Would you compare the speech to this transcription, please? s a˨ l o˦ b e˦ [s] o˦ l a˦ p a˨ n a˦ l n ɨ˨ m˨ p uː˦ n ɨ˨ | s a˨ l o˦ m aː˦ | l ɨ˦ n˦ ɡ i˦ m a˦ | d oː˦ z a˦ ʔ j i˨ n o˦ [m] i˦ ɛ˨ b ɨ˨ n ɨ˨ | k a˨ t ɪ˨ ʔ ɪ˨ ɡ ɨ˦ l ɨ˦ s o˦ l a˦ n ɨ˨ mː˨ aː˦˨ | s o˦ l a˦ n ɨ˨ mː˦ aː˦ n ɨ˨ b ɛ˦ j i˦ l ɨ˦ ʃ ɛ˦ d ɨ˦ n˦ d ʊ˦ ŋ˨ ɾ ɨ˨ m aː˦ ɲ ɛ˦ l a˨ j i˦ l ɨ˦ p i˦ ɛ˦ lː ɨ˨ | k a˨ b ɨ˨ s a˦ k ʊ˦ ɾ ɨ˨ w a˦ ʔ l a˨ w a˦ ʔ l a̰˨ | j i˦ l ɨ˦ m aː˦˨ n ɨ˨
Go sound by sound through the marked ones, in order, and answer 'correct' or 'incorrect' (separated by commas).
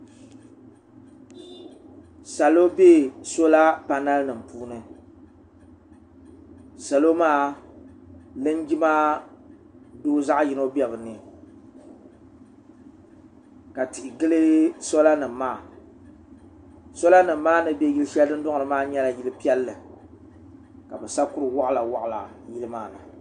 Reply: correct, incorrect